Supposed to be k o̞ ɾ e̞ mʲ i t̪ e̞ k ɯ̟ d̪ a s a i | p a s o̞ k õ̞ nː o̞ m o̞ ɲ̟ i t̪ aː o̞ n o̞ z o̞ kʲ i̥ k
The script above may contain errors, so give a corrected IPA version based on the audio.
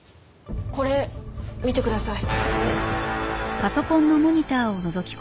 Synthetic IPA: k o̞ ɾ e̞ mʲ i t̪ e̞ k ɯ̟ d̪ a s a i | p a s o̞ k õ̞ nː o̞ m o̞ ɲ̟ i t̪ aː o̞ n o̞ z o̞ kʲ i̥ k